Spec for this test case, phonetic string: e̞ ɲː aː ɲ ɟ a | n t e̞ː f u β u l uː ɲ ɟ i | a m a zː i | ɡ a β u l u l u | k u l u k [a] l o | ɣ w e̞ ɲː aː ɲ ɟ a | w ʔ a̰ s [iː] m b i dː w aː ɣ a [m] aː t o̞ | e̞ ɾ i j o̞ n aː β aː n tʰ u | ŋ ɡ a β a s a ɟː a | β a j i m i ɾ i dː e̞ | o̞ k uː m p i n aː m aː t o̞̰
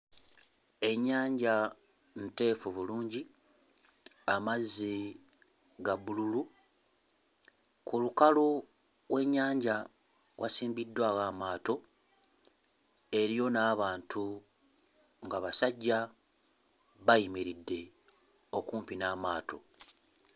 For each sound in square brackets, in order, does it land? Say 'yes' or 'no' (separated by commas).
yes, yes, yes